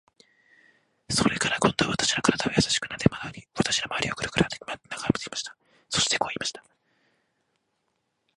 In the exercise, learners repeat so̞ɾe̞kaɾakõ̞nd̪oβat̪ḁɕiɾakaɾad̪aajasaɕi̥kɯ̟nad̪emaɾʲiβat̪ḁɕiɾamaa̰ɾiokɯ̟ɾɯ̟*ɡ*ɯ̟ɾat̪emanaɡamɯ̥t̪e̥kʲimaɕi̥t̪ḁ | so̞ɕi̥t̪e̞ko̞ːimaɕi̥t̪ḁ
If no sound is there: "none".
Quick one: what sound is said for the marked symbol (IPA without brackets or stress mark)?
k